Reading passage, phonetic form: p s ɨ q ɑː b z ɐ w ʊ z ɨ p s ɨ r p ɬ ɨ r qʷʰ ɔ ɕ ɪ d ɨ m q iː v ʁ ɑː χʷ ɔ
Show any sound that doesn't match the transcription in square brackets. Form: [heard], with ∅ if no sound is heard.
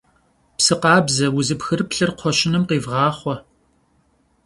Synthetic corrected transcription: p s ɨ q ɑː b z ɐ w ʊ z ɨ p [x] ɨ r p ɬ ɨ r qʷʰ ɔ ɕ ɪ [n] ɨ m q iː v ʁ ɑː χʷ ɔ